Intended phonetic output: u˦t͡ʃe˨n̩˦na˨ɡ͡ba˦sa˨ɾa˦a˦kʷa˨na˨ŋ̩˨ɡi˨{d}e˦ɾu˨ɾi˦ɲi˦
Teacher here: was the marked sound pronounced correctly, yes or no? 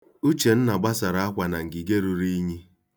no